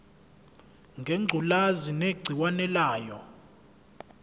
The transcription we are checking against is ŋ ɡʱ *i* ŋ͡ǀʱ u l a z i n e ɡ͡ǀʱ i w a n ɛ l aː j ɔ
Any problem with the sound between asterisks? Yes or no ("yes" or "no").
yes